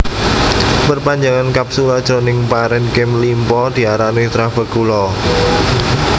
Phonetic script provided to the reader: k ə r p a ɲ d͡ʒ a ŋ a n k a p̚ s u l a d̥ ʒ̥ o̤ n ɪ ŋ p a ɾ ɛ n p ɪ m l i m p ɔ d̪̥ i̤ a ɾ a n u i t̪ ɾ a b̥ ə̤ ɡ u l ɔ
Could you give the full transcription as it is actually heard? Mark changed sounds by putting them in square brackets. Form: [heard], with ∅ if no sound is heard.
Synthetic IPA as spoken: [p] ə r p a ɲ d͡ʒ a ŋ a n k a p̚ s u l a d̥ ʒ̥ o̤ n ɪ ŋ p a ɾ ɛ n [k] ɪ m l i m p ɔ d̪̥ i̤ a ɾ a n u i t̪ ɾ a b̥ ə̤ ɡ u l ɔ